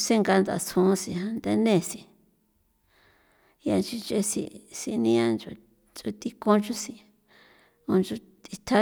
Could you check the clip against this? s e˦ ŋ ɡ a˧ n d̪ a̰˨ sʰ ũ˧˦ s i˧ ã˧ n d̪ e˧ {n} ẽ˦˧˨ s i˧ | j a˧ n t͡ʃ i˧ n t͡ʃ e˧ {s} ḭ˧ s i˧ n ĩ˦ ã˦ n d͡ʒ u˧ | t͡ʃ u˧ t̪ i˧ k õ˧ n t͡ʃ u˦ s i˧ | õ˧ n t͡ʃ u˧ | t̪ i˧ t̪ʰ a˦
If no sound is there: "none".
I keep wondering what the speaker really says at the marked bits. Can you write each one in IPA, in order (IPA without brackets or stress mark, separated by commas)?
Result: n, s